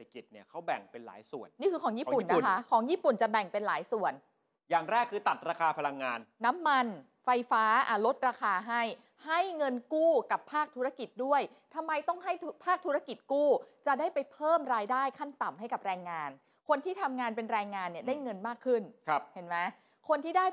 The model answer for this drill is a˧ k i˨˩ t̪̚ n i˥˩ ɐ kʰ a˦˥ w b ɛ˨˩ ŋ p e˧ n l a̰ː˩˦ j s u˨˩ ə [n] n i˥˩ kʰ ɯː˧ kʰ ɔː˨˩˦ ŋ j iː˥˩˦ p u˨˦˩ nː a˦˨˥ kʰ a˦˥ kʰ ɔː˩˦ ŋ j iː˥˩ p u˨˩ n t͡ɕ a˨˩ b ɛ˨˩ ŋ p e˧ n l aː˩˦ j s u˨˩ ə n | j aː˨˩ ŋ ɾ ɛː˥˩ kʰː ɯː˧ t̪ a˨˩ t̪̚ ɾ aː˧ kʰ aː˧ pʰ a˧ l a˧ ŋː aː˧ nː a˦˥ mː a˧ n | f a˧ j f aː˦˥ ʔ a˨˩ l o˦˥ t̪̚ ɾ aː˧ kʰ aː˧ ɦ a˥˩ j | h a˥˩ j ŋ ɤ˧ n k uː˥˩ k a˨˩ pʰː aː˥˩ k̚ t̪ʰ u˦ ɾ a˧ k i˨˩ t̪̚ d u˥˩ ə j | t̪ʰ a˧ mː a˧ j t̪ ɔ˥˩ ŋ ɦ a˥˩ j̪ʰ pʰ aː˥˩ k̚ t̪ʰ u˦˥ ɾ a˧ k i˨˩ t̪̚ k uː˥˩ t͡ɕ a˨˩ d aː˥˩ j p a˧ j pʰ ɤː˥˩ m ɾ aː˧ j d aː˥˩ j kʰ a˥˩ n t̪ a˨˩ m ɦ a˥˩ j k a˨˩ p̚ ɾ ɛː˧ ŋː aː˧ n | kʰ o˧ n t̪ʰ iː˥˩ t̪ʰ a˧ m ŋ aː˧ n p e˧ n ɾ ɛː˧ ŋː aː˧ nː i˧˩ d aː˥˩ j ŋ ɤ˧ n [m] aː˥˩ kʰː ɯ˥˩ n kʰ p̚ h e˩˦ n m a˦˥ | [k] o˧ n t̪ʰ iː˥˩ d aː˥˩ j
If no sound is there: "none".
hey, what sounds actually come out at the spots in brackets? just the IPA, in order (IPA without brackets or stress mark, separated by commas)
n, m, kʰ